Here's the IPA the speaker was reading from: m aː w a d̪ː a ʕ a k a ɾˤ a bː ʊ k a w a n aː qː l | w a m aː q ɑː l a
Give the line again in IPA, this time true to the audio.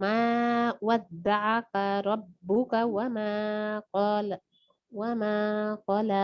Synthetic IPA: m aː w a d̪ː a ʕ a k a ɾˤ ɑ bː ʊ k a w a m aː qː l | w a m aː q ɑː l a